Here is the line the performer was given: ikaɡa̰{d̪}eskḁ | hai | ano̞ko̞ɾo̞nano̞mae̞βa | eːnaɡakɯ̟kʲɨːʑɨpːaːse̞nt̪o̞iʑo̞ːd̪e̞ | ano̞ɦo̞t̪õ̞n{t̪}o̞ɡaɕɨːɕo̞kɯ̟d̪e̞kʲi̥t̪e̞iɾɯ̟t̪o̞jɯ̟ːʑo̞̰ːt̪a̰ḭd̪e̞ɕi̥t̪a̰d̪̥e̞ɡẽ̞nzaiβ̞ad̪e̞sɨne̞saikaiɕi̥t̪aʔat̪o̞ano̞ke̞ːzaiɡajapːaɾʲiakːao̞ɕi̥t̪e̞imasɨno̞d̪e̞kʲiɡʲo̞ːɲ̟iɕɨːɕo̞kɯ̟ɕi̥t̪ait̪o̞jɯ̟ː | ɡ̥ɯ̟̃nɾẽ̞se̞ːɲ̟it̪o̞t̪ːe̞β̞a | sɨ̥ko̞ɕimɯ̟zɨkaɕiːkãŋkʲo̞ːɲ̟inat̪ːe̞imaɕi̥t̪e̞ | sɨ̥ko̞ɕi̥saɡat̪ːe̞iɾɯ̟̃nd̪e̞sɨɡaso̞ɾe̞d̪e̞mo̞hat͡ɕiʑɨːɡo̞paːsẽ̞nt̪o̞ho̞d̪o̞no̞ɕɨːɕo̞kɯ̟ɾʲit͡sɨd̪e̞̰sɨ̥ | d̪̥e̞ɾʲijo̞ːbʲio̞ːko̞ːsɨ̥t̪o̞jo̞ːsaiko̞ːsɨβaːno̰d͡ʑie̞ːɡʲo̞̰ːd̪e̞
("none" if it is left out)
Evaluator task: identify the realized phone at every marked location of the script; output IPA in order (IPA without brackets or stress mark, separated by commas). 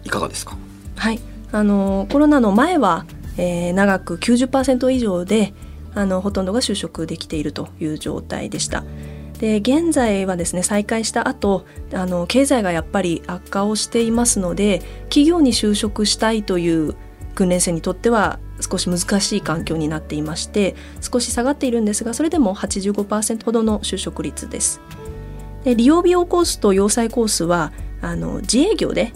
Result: d̪, d̪